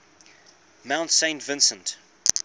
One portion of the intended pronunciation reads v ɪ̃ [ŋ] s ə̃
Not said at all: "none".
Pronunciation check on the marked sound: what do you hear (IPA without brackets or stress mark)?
n